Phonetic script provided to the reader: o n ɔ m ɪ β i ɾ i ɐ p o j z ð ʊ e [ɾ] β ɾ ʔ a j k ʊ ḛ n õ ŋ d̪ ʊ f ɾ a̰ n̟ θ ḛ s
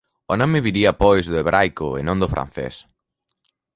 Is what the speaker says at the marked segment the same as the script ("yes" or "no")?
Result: no